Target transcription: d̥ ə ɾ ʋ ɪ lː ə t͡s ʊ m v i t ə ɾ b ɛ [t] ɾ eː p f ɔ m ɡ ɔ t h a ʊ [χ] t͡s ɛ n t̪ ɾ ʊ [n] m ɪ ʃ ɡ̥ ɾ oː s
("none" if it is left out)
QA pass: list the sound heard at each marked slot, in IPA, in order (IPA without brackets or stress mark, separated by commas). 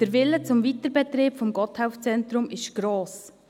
t, f, none